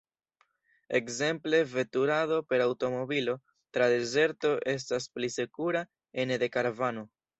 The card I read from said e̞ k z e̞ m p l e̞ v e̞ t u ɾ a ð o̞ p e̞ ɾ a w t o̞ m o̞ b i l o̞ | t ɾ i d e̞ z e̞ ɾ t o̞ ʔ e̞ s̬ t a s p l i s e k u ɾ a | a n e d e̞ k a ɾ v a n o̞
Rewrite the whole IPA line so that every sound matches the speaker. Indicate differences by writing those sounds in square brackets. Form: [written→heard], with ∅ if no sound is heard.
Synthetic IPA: e̞ k z e̞ m p l e̞ v e̞ t u ɾ a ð o̞ p e̞ ɾ a w t o̞ m o̞ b i l o̞ | t ɾ [i→a] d e̞ z e̞ ɾ t o̞ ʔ e̞ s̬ t a s p l i s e k u ɾ a | [a→e] n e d e̞ k a ɾ v a n o̞

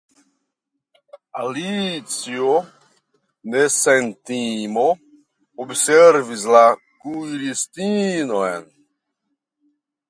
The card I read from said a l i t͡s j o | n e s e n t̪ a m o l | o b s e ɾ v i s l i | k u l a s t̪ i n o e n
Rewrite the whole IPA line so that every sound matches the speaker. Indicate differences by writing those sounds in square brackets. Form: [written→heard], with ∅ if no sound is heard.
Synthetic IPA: a l i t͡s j o | n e s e n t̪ [a→i] m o [l→∅] | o b s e ɾ v i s l [i→a] | k u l [a→i] s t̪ i n o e n

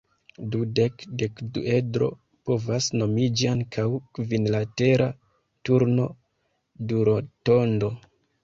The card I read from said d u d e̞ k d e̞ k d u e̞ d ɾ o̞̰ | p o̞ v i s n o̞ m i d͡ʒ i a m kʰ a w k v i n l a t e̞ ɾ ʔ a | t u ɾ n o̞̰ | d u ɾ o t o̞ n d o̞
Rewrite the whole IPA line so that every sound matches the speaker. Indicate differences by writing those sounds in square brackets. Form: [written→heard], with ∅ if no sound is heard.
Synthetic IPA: d u d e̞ k d e̞ k d u e̞ d ɾ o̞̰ | p o̞ v [i→a] s n o̞ m i d͡ʒ i a [m→ŋ] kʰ a w k v i n l a t e̞ ɾ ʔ a | t u ɾ n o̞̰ | d u ɾ o t o̞ n d o̞

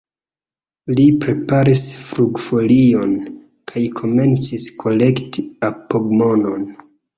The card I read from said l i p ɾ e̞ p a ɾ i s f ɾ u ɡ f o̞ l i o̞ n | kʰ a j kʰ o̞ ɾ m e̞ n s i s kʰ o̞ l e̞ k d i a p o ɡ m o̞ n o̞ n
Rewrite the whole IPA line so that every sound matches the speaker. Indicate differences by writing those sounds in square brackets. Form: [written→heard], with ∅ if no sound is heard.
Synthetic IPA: l i p ɾ e̞ p a ɾ i s f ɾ u ɡ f o̞ l i o̞ n | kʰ a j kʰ o̞ [ɾ→∅] m e̞ n [s→t͡s] i s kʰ o̞ l e̞ k [d→t] i a p o ɡ m o̞ n o̞ n

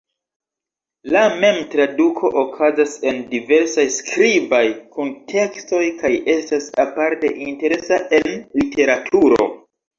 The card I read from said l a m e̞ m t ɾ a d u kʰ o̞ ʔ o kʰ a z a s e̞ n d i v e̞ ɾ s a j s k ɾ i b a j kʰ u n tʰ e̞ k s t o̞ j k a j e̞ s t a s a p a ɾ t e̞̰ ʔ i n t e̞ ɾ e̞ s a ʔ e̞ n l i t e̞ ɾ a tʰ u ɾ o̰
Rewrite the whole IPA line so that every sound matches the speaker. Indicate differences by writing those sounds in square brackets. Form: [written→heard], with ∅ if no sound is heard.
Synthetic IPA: l a m e̞ m t ɾ a d u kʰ o̞ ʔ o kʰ a z a s e̞ n d i v e̞ ɾ s a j s k ɾ i b a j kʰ u n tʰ e̞ k s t o̞ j k a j e̞ s t a s a p a ɾ t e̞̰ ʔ i n t e̞ ɾ e̞ s a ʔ e̞ n l i t e̞ ɾ a tʰ u ɾ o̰

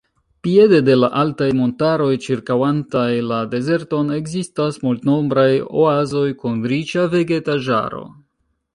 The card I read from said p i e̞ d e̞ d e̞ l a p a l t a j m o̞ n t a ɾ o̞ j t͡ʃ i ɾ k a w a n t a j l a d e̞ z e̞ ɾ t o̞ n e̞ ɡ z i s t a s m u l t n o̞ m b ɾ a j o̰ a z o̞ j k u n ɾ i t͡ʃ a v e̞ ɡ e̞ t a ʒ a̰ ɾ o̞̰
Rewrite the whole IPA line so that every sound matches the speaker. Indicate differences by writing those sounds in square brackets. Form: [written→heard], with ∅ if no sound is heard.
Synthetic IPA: p i e̞ d e̞ d e̞ l a [p→ʔ] a l t a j m o̞ n t a ɾ o̞ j t͡ʃ i ɾ k a w a n t a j l a d e̞ z e̞ ɾ t o̞ n e̞ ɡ z i s t a s m u l t n o̞ m b ɾ a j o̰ a z o̞ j k u n ɾ i t͡ʃ a v e̞ ɡ e̞ t a ʒ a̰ ɾ o̞̰

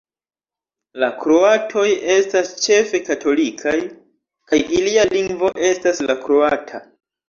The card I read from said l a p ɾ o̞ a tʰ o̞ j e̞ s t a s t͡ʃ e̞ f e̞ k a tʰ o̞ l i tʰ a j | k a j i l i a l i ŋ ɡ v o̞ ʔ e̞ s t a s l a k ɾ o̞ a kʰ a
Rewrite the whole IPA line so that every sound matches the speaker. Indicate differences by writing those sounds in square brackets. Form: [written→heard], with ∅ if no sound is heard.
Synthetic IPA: l a [p→k] ɾ o̞ a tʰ o̞ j e̞ s t a s t͡ʃ e̞ f e̞ k a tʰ o̞ l i [tʰ→kʰ] a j | k a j i l i a l i ŋ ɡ v o̞ ʔ e̞ s t a s l a k ɾ o̞ a [kʰ→tʰ] a

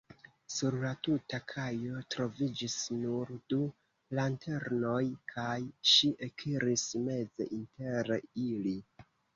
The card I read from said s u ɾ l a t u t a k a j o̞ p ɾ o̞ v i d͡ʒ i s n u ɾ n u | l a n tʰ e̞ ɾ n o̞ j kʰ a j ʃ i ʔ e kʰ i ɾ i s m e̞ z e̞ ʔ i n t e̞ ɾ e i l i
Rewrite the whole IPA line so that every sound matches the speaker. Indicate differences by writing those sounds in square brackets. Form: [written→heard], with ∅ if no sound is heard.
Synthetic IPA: s u ɾ l a t u t a [k→kʰ] a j o̞ [p→t] ɾ o̞ v i d͡ʒ i s n u ɾ [n→d] u | l a n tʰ e̞ ɾ n o̞ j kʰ a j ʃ i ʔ e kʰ i ɾ i s m e̞ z e̞ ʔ i n t e̞ ɾ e i l i

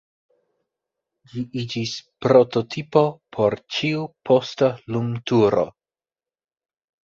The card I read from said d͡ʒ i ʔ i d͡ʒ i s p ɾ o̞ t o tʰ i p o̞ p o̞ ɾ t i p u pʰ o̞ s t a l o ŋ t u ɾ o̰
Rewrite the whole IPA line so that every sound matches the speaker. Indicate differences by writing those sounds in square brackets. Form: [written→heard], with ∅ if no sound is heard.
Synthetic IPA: d͡ʒ i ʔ i d͡ʒ i s p ɾ o̞ t o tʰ i p o̞ [p→pʰ] o̞ ɾ [t→t͡ʃ] i [p→∅] u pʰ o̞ s t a l [o→u] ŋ t u ɾ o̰

